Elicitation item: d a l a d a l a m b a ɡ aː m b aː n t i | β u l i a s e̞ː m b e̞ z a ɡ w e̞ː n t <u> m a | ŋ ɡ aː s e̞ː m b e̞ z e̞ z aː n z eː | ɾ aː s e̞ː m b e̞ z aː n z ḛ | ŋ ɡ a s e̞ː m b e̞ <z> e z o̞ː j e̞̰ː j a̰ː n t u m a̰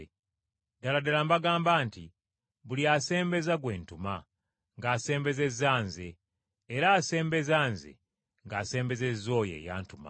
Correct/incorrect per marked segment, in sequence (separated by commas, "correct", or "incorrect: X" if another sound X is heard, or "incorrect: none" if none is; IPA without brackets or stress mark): correct, correct